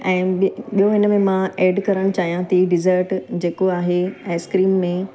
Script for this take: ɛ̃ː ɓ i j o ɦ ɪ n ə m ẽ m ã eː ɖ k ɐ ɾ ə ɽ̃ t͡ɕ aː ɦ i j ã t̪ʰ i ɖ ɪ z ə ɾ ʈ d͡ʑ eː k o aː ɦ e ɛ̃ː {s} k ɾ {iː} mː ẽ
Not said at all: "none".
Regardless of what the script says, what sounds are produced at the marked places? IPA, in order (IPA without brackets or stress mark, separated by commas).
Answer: s, iː